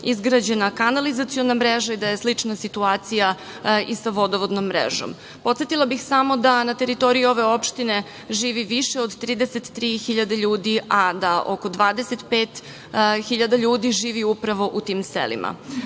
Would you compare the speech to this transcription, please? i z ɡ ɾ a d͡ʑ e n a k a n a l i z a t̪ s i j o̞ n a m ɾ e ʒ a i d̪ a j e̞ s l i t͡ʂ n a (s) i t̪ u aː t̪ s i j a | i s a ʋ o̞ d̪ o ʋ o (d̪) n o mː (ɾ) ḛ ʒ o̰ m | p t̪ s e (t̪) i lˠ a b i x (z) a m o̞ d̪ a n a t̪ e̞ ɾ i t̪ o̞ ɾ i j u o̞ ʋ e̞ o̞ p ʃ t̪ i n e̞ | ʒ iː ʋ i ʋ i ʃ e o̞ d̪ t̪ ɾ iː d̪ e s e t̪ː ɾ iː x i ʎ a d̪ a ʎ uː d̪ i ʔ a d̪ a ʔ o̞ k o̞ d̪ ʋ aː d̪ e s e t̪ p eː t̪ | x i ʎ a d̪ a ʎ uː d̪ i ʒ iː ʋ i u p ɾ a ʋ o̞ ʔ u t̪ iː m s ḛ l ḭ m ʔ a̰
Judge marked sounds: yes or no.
yes, yes, yes, yes, no

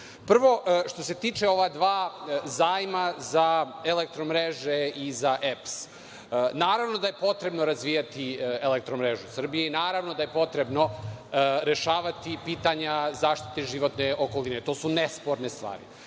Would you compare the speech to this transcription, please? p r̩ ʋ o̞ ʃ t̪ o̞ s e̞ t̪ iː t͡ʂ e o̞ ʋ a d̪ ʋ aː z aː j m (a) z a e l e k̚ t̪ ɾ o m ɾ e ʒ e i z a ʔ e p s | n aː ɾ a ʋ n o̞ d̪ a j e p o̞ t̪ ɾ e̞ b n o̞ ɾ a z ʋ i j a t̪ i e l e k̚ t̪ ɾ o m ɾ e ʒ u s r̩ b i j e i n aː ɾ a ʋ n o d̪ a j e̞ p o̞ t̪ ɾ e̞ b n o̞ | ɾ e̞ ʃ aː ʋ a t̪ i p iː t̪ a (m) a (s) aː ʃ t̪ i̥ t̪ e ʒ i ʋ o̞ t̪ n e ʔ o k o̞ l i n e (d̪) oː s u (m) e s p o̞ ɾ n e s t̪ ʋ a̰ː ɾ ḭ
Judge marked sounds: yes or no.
yes, no, no, no, no

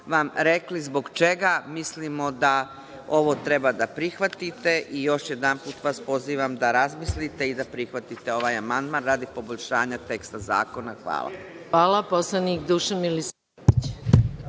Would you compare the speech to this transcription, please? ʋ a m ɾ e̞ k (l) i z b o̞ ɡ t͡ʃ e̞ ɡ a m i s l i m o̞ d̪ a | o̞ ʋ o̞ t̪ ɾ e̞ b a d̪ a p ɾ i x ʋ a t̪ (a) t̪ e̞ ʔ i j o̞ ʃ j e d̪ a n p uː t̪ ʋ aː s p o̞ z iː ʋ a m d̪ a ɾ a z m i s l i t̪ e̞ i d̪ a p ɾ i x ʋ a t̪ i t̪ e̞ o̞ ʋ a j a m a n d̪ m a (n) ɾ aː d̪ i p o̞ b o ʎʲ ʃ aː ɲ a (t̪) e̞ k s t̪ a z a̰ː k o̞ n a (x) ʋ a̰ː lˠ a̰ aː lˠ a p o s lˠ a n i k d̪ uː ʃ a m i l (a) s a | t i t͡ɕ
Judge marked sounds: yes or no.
yes, no, yes, yes, yes, no

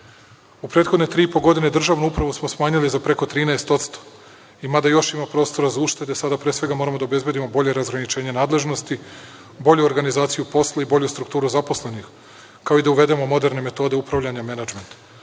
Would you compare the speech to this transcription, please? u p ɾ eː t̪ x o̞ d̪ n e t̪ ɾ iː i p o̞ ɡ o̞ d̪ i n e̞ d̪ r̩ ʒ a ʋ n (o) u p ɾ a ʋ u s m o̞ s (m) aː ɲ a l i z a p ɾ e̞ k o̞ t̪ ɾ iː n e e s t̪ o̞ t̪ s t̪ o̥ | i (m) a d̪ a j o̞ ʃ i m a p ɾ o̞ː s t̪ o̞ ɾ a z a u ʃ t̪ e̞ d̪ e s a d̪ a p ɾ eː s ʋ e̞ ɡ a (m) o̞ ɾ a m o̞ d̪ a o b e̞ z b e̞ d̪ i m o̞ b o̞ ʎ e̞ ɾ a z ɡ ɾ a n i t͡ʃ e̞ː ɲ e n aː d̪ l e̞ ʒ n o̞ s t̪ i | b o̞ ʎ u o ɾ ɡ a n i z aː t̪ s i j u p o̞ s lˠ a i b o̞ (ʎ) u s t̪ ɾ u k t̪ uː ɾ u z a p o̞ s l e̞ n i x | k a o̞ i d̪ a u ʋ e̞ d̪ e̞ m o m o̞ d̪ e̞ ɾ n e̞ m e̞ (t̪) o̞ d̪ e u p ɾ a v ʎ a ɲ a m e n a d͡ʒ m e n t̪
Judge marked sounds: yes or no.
no, yes, yes, yes, yes, yes

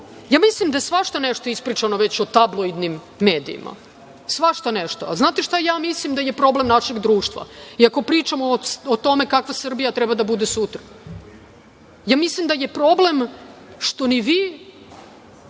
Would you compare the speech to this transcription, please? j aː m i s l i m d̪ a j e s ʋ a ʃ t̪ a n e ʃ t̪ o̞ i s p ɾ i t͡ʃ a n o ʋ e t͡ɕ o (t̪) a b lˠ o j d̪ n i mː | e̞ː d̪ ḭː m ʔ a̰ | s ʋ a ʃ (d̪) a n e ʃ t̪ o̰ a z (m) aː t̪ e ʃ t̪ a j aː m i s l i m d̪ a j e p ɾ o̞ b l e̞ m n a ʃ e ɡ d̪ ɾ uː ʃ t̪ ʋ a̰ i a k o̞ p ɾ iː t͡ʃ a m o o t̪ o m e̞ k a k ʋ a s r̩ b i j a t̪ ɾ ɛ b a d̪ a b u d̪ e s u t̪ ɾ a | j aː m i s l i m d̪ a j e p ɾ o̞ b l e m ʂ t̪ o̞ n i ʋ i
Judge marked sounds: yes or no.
yes, no, no

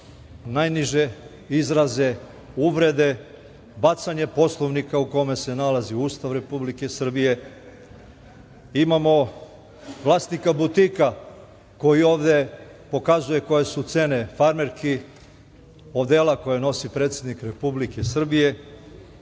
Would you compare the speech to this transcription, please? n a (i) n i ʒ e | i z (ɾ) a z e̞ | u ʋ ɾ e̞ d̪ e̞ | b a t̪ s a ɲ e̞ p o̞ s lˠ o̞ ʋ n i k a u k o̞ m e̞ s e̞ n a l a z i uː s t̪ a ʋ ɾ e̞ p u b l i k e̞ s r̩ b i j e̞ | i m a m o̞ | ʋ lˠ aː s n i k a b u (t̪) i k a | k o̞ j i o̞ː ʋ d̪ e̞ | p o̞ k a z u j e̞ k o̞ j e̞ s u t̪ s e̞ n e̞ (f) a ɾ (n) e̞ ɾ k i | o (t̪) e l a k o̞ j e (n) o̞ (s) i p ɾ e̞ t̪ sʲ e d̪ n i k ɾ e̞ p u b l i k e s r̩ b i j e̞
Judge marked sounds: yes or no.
no, yes, yes, yes, no, no, yes, yes

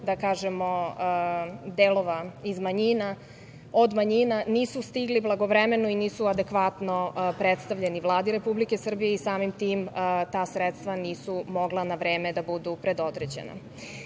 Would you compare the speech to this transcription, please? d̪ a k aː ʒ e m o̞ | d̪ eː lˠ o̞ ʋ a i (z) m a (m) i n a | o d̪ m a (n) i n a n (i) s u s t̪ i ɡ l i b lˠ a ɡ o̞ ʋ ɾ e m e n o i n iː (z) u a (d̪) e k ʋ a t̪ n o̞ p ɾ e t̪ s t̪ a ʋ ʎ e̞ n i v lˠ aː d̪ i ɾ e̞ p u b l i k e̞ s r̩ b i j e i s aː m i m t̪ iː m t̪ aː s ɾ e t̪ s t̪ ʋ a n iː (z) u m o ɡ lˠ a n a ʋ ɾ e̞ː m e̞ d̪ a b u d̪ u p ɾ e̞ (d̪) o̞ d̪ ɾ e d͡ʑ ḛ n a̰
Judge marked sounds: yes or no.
yes, no, no, no, no, yes, no, yes

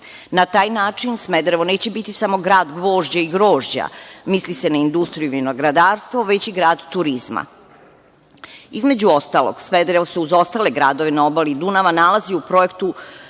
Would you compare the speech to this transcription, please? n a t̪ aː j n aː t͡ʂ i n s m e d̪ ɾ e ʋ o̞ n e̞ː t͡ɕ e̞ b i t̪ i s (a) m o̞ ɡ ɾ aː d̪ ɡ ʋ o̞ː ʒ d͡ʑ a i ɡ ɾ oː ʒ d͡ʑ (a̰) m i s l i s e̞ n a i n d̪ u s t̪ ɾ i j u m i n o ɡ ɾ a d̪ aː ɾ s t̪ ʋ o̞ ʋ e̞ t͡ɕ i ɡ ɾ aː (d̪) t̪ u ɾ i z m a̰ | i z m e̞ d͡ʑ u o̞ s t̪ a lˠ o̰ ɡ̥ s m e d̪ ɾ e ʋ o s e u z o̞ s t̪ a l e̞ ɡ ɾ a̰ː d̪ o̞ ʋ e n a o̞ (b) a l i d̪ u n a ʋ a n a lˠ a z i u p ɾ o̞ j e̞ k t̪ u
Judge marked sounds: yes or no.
yes, yes, yes, yes

